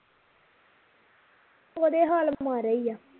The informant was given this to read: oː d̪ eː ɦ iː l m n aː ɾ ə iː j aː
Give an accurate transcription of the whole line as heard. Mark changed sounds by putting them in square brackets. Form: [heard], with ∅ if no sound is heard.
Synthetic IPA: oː d̪ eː ɦ [aː] l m [m] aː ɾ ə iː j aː